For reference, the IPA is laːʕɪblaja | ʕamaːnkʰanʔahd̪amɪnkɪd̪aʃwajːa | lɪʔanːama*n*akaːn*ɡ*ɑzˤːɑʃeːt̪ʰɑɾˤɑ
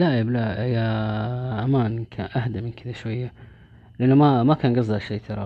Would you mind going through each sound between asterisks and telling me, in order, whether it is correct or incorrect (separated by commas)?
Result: incorrect, correct